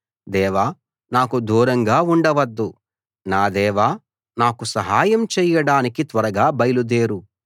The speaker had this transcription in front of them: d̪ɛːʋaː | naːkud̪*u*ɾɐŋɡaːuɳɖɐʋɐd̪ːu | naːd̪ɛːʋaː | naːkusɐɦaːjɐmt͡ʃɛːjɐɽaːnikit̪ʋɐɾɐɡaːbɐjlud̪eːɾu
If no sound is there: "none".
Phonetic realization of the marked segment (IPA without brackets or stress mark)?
uː